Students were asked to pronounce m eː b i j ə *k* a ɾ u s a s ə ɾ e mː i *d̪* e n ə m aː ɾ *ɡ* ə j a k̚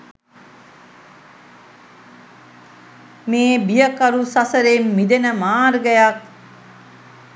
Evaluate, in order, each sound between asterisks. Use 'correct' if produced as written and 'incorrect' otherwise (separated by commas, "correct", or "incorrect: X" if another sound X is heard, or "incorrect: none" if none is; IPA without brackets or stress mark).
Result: correct, correct, correct